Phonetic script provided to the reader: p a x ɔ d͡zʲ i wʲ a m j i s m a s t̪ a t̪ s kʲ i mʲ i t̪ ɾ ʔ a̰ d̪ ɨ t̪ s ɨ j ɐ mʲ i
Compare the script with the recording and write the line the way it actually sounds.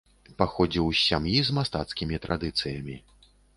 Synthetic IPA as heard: p a x ɔ d͡zʲ i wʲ a m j i z m a s t̪ a t̪ s kʲ i mʲ i t̪ ɾ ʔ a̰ d̪ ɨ t̪ s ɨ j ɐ mʲ i

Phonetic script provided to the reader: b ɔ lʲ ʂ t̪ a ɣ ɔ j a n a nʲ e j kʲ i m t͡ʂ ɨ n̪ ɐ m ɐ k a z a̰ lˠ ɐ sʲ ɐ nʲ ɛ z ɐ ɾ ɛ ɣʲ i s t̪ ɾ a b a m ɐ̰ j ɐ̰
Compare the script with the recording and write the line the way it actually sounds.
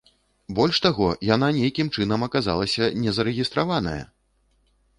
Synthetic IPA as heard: b ɔ lʲ ʂ t̪ a ɣ ɔ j a n a nʲ e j kʲ i m t͡ʂ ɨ n̪ ɐ m ɐ k a z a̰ lˠ ɐ sʲ ɐ nʲ ɛ z ɐ ɾ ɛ ɣʲ i s t̪ ɾ a v a n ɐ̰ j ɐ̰

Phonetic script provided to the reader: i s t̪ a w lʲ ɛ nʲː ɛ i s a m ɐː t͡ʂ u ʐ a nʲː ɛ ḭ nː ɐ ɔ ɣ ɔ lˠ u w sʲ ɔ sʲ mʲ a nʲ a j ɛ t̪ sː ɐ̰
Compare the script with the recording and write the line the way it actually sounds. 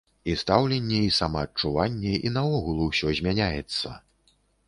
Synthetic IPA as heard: i s t̪ a w lʲ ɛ nʲː ɛ i s a m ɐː t͡ʂ u v a nʲː ɛ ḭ n ɐ ɔ ɣ u lˠ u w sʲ ɔ zʲ mʲ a nʲ a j ɛ t̪ sː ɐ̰

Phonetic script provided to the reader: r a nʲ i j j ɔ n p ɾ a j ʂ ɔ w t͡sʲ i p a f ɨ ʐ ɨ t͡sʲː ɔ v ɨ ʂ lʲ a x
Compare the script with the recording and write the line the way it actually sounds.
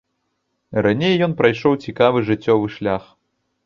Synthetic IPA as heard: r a nʲ e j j ɔ n p ɾ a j ʂ ɔ w t͡sʲ i k a v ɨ ʐ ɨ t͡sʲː ɔ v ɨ ʂ lʲ a x

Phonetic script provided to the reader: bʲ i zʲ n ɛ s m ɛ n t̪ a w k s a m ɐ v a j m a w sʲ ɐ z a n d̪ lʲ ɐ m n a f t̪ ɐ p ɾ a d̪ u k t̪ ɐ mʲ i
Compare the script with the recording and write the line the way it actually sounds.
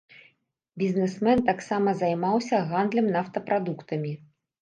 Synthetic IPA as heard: bʲ i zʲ n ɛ s m ɛ n t̪ a k s a m ɐ z a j m a w sʲ ɐ ɣ a n d̪ lʲ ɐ m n a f t̪ ɐ p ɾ a d̪ u k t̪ ɐ mʲ i

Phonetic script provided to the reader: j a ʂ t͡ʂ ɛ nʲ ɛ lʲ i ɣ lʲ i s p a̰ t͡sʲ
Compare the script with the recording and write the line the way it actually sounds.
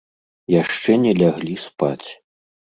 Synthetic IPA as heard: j a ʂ t͡ʂ ɛ nʲ ɛ lʲ a ɣ lʲ i s p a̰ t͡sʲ

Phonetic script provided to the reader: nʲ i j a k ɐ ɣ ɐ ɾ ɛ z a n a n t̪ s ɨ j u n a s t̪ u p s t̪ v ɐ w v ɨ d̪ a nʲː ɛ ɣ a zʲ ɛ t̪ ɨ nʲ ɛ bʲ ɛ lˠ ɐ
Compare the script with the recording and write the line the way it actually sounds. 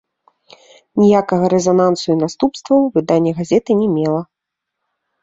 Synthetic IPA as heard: nʲ i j a k ɐ ɣ ɐ ɾ ɛ z a n a n t̪ s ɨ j u n a s t̪ u p s t̪ v ɐ w v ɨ d̪ a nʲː ɛ ɣ a zʲ ɛ t̪ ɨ nʲ ɛ mʲ ɛ lˠ ɐ

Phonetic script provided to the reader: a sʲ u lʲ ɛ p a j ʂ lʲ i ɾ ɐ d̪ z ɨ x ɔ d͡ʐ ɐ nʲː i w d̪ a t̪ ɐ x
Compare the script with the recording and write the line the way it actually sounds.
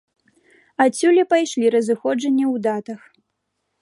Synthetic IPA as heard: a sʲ u lʲ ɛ p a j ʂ lʲ i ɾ ɐ z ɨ x ɔ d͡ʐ ɐ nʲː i w d̪ a t̪ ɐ x

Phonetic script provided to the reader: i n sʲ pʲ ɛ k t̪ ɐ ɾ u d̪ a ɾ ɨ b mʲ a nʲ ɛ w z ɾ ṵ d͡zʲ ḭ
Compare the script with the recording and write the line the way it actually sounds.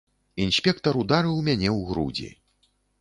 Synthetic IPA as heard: i n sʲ pʲ ɛ k t̪ ɐ ɾ u d̪ a ɾ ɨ w mʲ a nʲ ɛ w ɣ ɾ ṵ d͡zʲ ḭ

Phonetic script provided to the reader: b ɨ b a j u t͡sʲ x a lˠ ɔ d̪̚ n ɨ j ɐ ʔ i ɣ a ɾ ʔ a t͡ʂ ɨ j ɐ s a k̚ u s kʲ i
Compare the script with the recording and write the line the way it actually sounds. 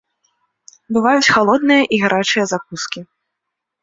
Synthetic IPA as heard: b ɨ v a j u t͡sʲ x a lˠ ɔ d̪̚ n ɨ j ɐ ʔ i ɣ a ɾ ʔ a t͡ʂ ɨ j ɐ z a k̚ u s kʲ i

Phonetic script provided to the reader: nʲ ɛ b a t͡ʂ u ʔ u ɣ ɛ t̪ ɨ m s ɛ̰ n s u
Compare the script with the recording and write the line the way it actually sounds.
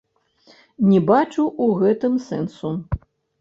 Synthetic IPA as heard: nʲ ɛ b a t͡ʂ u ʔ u ɣ ɛ t̪ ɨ m s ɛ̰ n s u

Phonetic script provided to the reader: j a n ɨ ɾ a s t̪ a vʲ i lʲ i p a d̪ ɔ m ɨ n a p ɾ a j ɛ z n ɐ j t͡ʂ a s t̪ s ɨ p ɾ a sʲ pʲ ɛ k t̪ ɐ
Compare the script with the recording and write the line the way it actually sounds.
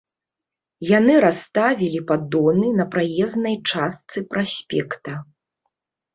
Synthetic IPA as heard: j a n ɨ ɾ a s t̪ a vʲ i lʲ i p a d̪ ɔ n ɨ n ɐ p ɾ a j ɛ z n ɐ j t͡ʂ a s t̪ s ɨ p ɾ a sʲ pʲ ɛ k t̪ ɐ

